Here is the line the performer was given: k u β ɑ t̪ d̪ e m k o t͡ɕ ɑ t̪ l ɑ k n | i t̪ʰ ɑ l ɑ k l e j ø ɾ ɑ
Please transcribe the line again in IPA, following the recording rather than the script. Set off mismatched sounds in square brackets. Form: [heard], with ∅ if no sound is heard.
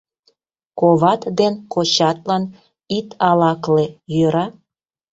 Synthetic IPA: k [o] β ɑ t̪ d̪ e [n] k o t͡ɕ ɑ t̪ l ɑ [∅] n | i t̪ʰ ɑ l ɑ k l e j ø ɾ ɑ